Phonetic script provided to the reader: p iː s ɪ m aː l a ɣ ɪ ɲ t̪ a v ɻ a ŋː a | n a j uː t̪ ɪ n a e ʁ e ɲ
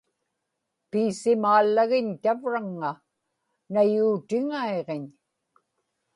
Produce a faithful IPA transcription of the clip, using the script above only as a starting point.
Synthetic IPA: p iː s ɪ m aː lː a ɣ ɪ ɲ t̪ a v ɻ a ŋː a | n a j uː t̪ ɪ ŋ a e ʁ e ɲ